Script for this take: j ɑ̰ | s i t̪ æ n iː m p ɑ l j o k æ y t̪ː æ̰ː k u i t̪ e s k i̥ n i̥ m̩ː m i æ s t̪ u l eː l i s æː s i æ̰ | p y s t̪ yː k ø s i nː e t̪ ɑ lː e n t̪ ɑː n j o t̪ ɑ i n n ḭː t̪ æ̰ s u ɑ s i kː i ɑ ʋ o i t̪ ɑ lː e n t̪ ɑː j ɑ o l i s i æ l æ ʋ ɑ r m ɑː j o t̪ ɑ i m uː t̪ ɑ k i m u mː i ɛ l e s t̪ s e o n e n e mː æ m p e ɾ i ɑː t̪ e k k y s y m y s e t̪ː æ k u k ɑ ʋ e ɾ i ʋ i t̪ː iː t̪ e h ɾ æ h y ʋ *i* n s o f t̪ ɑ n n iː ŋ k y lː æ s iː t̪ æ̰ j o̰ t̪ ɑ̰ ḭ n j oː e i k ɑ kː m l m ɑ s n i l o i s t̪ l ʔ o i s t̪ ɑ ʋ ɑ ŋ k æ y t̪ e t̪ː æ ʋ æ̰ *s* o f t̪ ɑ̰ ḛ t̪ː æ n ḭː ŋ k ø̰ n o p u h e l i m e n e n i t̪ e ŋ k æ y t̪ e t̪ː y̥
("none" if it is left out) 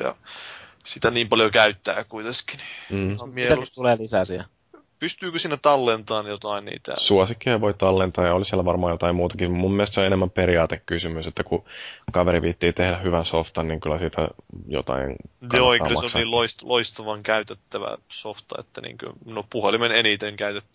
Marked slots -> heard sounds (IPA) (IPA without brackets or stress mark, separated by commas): æ, s